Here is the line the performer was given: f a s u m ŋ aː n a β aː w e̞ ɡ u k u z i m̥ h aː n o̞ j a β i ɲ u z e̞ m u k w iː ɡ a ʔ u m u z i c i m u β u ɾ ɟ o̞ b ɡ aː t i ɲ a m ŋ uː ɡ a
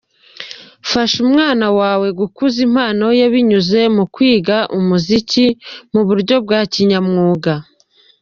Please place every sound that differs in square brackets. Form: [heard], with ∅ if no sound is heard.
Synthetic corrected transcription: f a [ʃ] u m ŋ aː n a [w] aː w e̞ ɡ u k u z i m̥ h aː n o̞ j a β i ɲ u z e̞ m u k w iː ɡ a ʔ u m u z i c i m u β u ɾ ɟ o̞ b ɡ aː [c] i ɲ a m ŋ uː ɡ a